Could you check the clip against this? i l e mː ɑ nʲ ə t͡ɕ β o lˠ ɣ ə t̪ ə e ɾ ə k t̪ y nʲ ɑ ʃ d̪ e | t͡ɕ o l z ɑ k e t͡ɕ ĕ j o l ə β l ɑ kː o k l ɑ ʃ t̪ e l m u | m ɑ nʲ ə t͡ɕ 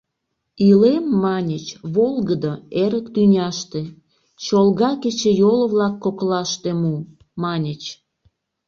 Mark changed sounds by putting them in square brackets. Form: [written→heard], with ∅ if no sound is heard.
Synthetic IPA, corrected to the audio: i l e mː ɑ nʲ ə t͡ɕ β o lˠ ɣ ə [t̪→d̪] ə e ɾ ə k t̪ y nʲ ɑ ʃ [d̪→t̪] e | t͡ɕ o l [z→ɣ] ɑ k e t͡ɕ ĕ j o l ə β l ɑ kː o k l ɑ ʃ t̪ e [l→∅] m u | m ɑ nʲ ə t͡ɕ